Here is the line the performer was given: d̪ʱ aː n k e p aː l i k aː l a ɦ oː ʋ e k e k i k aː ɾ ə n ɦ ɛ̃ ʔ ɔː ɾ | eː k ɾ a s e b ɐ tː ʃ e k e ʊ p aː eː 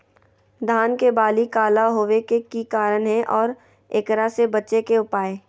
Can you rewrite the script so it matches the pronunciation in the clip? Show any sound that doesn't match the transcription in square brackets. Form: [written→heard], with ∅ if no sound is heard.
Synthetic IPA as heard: d̪ʱ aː n k e [p→b] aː l i k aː l a ɦ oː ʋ e k e k i k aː ɾ ə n ɦ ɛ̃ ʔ ɔː ɾ | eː k ɾ a s e b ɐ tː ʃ e k e ʊ p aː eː